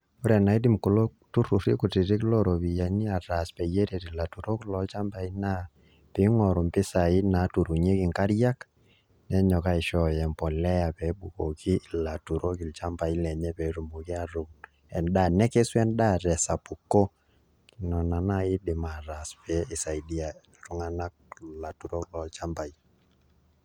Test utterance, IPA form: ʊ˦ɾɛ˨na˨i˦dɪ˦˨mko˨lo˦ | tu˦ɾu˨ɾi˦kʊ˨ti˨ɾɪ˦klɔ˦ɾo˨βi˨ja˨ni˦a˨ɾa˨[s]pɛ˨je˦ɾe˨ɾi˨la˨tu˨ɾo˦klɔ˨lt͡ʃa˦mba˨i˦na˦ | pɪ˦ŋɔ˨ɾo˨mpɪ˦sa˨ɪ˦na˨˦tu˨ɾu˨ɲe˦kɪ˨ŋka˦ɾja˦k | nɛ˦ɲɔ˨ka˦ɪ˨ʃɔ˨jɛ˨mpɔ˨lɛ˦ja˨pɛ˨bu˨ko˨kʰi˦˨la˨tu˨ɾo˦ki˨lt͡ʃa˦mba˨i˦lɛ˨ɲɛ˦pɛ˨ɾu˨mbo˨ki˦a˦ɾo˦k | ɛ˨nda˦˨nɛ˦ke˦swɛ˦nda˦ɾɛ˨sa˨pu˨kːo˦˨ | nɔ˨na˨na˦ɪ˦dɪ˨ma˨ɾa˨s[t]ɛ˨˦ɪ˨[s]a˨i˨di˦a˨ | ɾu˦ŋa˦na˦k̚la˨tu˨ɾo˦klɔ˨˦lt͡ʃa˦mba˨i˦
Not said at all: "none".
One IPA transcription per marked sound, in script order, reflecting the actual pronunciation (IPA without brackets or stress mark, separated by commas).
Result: s, p, s